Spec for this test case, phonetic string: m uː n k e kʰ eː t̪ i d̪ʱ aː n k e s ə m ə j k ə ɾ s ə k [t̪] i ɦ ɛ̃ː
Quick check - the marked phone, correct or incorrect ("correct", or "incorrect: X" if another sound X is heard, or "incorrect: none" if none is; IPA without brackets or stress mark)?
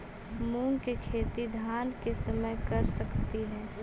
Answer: correct